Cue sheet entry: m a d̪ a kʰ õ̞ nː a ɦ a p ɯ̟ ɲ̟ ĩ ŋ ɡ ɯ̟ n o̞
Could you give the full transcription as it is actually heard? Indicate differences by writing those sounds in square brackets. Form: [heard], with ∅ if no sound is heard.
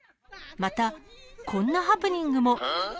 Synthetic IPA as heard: m a [t̪] a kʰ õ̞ nː a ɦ a p ɯ̟ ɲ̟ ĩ ŋ ɡ ɯ̟ [m] o̞